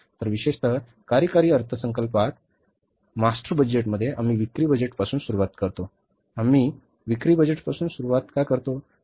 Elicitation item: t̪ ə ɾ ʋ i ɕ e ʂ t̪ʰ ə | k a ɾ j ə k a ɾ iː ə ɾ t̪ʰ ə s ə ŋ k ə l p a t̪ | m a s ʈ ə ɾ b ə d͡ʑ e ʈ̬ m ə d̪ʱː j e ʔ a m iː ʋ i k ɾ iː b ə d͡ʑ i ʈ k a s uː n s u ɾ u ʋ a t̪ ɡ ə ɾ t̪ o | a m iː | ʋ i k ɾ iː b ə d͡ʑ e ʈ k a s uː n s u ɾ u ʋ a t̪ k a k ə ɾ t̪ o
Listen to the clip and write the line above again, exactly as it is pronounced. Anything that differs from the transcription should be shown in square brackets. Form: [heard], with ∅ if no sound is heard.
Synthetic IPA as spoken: t̪ ə ɾ ʋ i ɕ e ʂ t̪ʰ ə | k a ɾ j ə k a ɾ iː ə ɾ t̪ʰ ə s ə ŋ k ə l p a t̪ | m a s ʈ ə ɾ b ə d͡ʑ e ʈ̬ m ə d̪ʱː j e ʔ a m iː ʋ i k ɾ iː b ə d͡ʑ [e] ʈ [p] a s uː n s u ɾ u ʋ a t̪ [k] ə ɾ t̪ o | a m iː | ʋ i k ɾ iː b ə d͡ʑ e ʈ [p] a s uː n s u ɾ u ʋ a t̪ k a k ə ɾ t̪ o